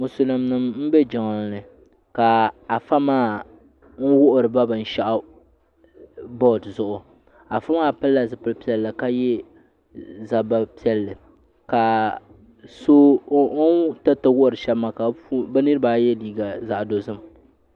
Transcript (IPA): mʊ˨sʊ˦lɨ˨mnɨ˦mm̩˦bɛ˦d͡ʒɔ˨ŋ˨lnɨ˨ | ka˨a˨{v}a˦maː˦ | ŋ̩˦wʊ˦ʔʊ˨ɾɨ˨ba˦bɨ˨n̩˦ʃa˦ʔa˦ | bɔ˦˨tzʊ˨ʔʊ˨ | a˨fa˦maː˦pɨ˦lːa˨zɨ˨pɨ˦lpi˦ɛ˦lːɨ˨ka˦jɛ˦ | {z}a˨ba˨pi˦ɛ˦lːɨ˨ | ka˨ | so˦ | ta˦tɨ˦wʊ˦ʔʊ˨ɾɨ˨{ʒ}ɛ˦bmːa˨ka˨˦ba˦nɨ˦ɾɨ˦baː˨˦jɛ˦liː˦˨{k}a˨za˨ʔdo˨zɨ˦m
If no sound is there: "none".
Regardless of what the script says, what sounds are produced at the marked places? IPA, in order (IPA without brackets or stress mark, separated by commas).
f, z, ʃ, ɡ